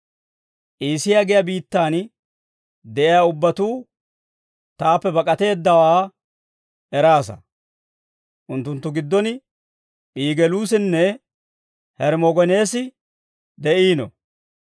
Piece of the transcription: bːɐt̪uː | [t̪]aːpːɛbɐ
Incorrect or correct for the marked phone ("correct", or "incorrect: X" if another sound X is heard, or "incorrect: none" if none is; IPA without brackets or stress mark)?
correct